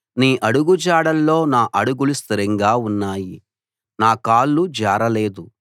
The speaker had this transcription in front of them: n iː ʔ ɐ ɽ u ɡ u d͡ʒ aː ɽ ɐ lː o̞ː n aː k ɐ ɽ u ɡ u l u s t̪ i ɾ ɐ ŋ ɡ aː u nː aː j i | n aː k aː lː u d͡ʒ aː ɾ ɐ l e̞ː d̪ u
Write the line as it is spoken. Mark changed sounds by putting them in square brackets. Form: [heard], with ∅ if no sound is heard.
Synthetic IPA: n iː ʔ ɐ ɽ u ɡ u d͡ʒ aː ɽ ɐ lː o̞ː n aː [ʔ] ɐ ɽ u ɡ u l u s t̪ i ɾ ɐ ŋ ɡ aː u nː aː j i | n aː k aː lː u d͡ʒ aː ɾ ɐ l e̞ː d̪ u

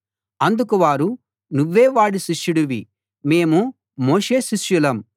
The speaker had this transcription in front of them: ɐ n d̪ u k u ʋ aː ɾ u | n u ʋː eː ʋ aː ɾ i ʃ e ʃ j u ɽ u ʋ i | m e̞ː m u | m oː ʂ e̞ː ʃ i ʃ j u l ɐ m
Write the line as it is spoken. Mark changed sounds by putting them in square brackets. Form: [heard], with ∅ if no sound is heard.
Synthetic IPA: ɐ n d̪ u k u ʋ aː ɾ u | n u ʋː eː ʋ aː [ɽ] i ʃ [i] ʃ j u ɽ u ʋ i | m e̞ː m u | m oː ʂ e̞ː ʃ i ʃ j u l ɐ m

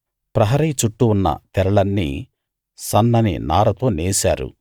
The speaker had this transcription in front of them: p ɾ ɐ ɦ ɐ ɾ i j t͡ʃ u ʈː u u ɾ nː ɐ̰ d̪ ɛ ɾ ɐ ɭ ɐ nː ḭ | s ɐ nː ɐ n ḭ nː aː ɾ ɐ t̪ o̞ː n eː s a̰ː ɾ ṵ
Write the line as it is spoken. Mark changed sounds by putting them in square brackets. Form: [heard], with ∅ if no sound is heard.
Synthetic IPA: p ɾ ɐ ɦ ɐ ɾ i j t͡ʃ u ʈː u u [∅] nː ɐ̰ [t̪] ɛ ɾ ɐ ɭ ɐ nː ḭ | s ɐ nː ɐ n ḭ [n] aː ɾ ɐ t̪ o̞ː n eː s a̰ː ɾ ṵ

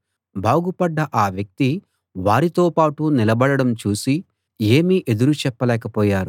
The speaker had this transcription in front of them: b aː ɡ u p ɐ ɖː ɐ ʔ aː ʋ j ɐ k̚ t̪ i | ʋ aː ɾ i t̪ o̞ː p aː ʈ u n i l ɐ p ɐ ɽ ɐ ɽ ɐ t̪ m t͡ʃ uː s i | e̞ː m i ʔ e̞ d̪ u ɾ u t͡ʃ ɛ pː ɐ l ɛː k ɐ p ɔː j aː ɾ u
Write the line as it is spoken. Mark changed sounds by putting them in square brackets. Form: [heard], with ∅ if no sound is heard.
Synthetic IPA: b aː ɡ u p ɐ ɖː ɐ ʔ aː ʋ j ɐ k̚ t̪ i | ʋ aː ɾ i t̪ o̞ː p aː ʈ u n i l ɐ [b] ɐ ɽ ɐ ɽ ɐ [∅] m t͡ʃ uː s i | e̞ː m i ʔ e̞ d̪ u ɾ u t͡ʃ ɛ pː ɐ l ɛː k ɐ p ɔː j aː ɾ u

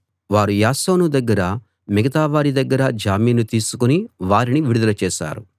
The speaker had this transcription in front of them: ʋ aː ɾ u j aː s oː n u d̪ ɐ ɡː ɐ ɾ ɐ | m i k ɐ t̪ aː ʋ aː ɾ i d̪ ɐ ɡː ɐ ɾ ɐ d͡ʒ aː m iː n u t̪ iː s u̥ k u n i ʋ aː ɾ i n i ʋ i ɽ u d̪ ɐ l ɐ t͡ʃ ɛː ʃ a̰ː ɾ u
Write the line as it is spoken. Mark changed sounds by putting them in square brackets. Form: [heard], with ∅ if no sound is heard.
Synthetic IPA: ʋ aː ɾ u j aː s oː n u d̪ ɐ ɡː ɐ ɾ ɐ | m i [ɡ] ɐ t̪ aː ʋ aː ɾ i d̪ ɐ ɡː ɐ ɾ ɐ d͡ʒ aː m iː n u t̪ iː s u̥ k u n i ʋ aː ɾ i n i ʋ i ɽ u d̪ ɐ l ɐ t͡ʃ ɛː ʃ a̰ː ɾ u

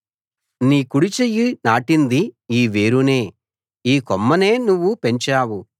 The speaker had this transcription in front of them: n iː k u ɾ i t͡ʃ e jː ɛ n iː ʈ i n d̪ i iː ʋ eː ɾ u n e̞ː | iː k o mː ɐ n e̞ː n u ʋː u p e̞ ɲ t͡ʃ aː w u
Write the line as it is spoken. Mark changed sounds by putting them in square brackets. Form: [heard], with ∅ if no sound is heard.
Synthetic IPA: n iː k u [ɽ] i t͡ʃ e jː [i] n [aː] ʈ i n d̪ i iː ʋ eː ɾ u n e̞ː | iː k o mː ɐ n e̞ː n u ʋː u p e̞ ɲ t͡ʃ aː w u

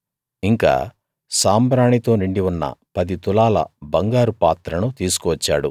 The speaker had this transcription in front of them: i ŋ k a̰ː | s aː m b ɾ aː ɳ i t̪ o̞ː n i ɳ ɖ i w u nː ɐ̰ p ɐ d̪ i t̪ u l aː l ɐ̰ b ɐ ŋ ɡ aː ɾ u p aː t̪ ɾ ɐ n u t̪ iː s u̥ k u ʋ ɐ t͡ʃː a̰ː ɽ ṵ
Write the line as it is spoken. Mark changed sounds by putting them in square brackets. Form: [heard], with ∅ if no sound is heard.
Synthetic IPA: i ŋ k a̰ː | s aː m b ɾ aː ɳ i t̪ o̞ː n i ɳ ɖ i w u nː ɐ̰ p ɐ d̪ i t̪ u l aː l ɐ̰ b ɐ ŋ ɡ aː ɾ u p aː t̪ ɾ ɐ n u t̪ iː s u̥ k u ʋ ɐ t͡ʃː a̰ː ɽ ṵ

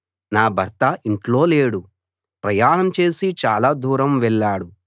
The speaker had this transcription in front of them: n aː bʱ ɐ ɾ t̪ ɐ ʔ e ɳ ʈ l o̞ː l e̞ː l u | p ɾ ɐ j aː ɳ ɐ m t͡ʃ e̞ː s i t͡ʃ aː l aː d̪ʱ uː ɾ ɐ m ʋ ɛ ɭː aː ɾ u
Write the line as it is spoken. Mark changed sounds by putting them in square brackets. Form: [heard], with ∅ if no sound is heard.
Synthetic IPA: n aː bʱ ɐ ɾ t̪ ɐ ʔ [i] ɳ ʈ l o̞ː l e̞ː [ɽ] u | p ɾ ɐ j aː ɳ ɐ m t͡ʃ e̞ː s i t͡ʃ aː l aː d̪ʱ uː ɾ ɐ m ʋ ɛ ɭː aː [ɽ] u

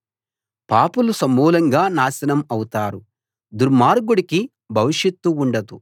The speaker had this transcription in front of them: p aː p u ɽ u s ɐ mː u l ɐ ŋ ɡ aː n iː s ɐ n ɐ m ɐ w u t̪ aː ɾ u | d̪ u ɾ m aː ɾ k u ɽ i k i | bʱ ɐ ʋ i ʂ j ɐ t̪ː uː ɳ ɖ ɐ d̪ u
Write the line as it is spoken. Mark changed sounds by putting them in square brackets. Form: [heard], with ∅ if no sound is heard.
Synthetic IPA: p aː p u [l] u s ɐ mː [uː] l ɐ ŋ ɡ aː n [aː] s ɐ n ɐ m ɐ w u t̪ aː ɾ u | d̪ u ɾ m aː ɾ [ɡ] u ɽ i k i | bʱ ɐ ʋ i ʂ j ɐ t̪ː uː ɳ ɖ ɐ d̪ u

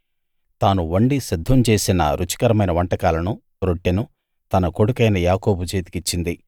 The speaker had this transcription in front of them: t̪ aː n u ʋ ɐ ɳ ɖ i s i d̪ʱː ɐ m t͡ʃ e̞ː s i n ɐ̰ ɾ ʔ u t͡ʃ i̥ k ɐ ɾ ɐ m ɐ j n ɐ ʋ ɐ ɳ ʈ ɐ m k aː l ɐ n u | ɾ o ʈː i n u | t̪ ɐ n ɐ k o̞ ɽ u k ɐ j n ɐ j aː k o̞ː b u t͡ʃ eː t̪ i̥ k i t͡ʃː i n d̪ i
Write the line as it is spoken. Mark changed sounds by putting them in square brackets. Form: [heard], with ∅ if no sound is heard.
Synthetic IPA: t̪ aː n u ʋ ɐ ɳ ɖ i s i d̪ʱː ɐ m t͡ʃ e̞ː s i n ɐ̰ ɾ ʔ u t͡ʃ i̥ k ɐ ɾ ɐ m ɐ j n ɐ ʋ ɐ ɳ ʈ ɐ [∅] k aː l ɐ n u | ɾ o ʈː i n u | t̪ ɐ n ɐ k o̞ ɽ u k ɐ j n ɐ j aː k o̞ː b u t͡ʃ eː t̪ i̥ k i t͡ʃː i n d̪ i

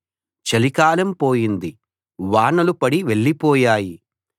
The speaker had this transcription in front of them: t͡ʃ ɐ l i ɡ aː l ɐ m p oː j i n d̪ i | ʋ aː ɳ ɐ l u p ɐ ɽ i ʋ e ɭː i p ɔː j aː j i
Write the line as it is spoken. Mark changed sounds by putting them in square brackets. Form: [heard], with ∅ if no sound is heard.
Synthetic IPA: t͡ʃ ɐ l i [k] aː l ɐ m p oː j i n d̪ i | ʋ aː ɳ ɐ l u p ɐ ɽ i ʋ e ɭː i p ɔː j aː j i

